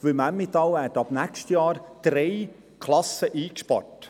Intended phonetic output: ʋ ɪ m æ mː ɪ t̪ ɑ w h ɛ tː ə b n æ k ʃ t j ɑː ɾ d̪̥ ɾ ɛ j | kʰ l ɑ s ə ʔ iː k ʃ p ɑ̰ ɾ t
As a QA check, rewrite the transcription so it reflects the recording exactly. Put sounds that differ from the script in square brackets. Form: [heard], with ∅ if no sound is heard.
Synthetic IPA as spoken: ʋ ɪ m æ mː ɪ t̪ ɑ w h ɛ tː [ɑ] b n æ k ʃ t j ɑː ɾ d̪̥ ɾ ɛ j | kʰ l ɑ s ə ʔ iː k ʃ p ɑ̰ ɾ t